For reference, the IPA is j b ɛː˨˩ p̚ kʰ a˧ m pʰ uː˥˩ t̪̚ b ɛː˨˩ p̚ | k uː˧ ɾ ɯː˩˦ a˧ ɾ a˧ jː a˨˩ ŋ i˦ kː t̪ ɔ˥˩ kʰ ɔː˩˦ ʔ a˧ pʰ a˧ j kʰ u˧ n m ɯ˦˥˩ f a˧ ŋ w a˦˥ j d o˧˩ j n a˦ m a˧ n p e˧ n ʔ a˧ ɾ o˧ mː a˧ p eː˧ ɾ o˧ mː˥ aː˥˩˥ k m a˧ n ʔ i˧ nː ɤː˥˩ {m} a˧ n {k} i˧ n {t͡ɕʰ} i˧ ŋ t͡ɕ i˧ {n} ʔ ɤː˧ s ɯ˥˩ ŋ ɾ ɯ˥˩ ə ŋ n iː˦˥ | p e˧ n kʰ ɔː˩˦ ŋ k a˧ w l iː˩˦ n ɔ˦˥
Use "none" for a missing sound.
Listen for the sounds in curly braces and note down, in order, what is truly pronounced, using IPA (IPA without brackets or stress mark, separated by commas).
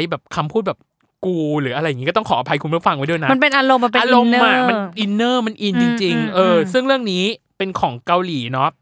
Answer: m, ʔ, t͡ɕ, ŋ